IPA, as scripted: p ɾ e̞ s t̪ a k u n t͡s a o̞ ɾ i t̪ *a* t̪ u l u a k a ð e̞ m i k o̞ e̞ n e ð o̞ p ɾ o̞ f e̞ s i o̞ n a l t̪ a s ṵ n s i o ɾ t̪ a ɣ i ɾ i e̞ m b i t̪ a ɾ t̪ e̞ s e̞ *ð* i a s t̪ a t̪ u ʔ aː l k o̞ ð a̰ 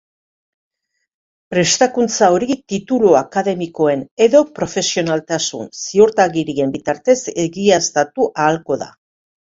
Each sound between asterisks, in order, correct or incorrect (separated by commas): incorrect, incorrect